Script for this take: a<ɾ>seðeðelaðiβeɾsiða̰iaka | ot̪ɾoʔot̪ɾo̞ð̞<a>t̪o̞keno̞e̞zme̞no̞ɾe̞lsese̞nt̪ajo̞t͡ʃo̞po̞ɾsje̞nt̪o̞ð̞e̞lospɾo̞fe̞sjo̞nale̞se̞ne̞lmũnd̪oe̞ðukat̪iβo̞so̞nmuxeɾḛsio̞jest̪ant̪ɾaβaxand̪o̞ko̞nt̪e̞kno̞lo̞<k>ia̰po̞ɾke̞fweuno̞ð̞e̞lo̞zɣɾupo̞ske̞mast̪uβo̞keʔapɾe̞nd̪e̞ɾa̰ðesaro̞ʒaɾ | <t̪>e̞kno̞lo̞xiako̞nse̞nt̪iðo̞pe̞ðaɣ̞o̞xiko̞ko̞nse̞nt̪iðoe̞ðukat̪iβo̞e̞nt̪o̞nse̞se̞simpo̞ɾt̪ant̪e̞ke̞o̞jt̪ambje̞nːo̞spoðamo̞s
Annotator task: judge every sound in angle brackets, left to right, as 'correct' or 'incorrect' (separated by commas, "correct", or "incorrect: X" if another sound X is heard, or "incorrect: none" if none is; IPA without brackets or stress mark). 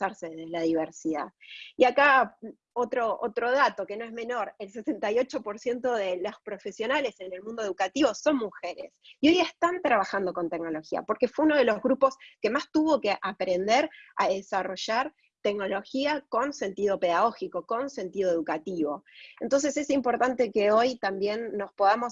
correct, correct, incorrect: x, correct